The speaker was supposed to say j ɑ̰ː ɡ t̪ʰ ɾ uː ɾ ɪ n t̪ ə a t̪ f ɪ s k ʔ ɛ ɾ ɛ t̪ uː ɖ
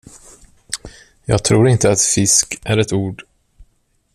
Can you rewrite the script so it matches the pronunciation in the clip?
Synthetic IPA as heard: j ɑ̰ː ɡ t̪ʰ ɾ uː ɾ ɪ n t̪ ə a t̪ f ɪ s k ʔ æ ɾ ɛ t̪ uː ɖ